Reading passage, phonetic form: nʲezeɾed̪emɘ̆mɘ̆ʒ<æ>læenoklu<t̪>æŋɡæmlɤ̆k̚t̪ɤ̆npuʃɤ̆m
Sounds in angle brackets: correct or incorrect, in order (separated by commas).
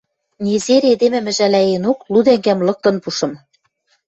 correct, incorrect